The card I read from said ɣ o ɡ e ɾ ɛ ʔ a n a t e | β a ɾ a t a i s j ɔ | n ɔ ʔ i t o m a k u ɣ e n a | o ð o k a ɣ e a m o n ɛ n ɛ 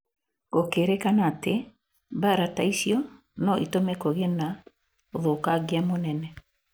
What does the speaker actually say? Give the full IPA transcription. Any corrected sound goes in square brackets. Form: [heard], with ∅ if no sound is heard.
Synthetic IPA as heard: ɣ o [k] e ɾ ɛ [k] a n a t e | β a ɾ a t a i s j ɔ | n ɔ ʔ i t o m [ɛ] k [o] ɣ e n a | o ð o k a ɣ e a m o n ɛ n ɛ